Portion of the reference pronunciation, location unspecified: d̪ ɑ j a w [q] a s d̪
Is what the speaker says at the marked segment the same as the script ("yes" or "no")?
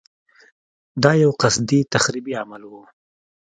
yes